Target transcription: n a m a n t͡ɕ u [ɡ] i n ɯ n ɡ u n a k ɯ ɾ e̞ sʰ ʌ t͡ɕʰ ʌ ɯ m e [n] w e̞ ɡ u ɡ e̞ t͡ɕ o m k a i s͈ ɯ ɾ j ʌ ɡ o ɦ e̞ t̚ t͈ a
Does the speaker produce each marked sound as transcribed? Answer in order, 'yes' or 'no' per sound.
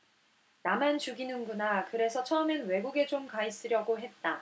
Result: yes, yes

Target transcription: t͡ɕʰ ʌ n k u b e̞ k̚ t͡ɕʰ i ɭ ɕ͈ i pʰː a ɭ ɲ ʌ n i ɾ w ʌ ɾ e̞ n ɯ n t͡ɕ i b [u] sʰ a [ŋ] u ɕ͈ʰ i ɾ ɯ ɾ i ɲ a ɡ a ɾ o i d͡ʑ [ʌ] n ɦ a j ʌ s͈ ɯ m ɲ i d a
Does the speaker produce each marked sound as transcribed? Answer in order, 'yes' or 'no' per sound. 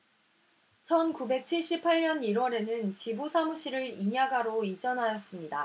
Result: yes, no, yes

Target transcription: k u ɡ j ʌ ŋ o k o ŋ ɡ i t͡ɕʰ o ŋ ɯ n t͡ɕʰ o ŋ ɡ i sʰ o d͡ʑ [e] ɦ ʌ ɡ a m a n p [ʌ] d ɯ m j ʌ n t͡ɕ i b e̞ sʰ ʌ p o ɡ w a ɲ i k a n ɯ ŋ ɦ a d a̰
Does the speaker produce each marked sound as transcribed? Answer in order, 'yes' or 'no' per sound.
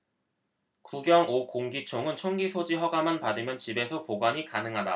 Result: no, no

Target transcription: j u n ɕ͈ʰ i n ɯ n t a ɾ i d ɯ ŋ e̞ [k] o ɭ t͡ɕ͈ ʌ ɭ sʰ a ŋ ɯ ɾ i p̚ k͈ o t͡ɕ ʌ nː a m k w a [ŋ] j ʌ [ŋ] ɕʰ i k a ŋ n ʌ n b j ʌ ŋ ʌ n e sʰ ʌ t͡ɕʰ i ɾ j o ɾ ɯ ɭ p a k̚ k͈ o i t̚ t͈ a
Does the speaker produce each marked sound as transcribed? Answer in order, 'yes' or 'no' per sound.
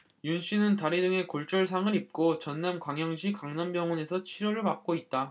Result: yes, yes, yes

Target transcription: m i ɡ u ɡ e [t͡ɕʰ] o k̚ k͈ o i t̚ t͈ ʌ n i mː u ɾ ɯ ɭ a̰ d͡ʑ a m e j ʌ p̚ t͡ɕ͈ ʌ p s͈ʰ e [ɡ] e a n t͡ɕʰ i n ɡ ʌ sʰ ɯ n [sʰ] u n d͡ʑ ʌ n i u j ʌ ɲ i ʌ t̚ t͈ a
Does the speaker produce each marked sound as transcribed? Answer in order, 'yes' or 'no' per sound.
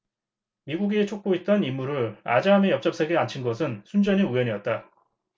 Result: yes, yes, yes

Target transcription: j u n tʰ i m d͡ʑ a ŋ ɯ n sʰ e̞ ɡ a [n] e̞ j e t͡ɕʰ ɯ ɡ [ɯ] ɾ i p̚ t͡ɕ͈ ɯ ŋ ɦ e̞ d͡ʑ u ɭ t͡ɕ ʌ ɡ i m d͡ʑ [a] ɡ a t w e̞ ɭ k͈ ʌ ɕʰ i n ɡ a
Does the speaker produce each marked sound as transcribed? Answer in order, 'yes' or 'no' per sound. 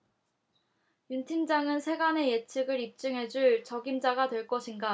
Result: yes, yes, yes

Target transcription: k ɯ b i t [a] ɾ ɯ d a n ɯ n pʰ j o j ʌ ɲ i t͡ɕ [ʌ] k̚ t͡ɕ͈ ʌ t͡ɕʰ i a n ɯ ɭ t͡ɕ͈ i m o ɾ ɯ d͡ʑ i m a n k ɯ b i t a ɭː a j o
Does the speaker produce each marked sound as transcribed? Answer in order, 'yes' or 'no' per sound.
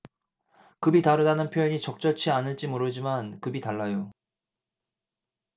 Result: yes, yes

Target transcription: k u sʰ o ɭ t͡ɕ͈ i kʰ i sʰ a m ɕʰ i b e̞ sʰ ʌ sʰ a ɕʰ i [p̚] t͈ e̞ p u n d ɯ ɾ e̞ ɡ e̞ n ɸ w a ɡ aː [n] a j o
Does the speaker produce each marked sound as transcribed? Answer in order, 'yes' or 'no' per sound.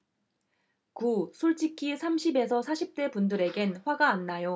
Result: yes, no

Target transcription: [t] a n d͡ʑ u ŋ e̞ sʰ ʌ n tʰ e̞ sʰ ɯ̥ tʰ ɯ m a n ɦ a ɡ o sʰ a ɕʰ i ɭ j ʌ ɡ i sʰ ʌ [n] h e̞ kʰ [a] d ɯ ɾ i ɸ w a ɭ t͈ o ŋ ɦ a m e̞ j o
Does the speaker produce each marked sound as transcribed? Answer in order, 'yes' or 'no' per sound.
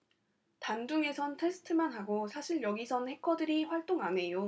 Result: yes, yes, no

